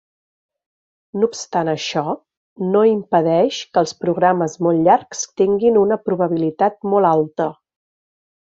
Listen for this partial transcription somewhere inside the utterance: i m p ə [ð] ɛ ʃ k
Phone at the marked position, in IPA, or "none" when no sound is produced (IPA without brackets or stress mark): ð